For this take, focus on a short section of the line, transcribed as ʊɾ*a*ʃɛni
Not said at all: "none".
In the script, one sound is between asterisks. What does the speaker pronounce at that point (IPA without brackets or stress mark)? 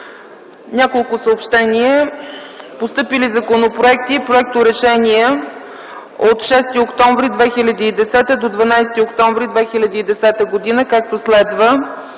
ɛ